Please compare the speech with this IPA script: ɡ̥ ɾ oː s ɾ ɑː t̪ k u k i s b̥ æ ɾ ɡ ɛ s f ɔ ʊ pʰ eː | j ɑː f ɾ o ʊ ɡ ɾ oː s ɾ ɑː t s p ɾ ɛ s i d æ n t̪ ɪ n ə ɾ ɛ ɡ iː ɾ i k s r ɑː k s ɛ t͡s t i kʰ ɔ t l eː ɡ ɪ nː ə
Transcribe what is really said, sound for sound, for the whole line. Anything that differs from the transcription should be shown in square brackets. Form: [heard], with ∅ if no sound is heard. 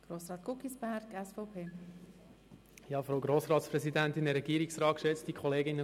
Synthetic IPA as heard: ɡ̥ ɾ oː s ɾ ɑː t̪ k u k i s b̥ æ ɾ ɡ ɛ s f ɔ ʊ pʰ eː | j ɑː f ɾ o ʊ ɡ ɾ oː s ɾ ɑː t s p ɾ ɛ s i d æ n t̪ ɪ n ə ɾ ɛ ɡ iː ɾ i k s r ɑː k [ʃ] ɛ t͡s t i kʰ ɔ [∅] l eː ɡ ɪ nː ə